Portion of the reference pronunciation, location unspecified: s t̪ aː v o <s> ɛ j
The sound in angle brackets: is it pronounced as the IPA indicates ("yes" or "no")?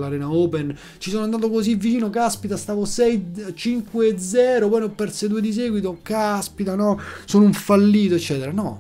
yes